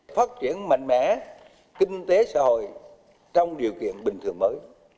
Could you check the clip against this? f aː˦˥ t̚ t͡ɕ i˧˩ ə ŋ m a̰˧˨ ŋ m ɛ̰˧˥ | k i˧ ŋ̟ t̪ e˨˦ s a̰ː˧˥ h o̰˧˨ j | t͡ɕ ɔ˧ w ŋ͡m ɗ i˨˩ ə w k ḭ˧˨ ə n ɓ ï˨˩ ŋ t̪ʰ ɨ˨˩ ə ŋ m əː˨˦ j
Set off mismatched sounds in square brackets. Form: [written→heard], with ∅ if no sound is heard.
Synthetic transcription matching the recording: f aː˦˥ t̚ t͡ɕ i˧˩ ə [ŋ→n] m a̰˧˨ ŋ m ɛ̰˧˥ | k i˧ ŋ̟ t̪ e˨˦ s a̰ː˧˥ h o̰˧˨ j | t͡ɕ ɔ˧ w ŋ͡m ɗ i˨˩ ə w k ḭ˧˨ ə n ɓ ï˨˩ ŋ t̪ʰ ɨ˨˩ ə ŋ m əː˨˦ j